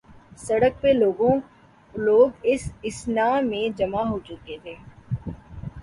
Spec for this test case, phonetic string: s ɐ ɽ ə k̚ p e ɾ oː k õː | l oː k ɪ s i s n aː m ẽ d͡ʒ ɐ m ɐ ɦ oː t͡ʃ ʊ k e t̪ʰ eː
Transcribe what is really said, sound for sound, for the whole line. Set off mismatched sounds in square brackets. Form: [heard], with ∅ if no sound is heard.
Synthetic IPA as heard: s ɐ ɽ ə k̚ p e [l] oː [ɡ] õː | l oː [ɡ] ɪ s [ɪ] s n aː m ẽ d͡ʒ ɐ m [a] ɦ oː t͡ʃ ʊ k e t̪ʰ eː